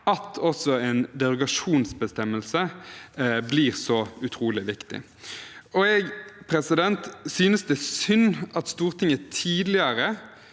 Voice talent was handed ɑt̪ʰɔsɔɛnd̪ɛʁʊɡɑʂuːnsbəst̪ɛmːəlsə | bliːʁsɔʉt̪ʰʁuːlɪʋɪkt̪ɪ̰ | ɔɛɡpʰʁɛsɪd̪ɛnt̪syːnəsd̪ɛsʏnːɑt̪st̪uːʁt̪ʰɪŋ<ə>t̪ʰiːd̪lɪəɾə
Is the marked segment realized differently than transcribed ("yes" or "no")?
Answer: no